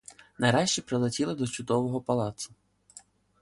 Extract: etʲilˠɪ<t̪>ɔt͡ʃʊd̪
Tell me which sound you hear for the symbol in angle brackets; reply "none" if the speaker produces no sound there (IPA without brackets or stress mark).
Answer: d̪